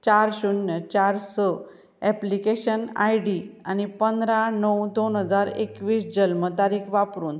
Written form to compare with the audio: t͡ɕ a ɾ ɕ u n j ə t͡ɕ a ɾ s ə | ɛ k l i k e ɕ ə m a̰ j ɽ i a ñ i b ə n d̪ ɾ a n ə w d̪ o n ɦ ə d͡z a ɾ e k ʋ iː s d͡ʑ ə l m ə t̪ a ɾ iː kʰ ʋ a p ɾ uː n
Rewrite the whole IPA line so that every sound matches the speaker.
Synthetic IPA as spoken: t͡ɕ a ɾ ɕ u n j ə t͡ɕ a ɾ s ə | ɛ p l i k e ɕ ə n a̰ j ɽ i a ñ i p ə n d̪ ɾ a n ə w d̪ o n ɦ ə d͡z a ɾ e k ʋ iː s d͡ʑ ə l m ə t̪ a ɾ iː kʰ ʋ a p ɾ uː n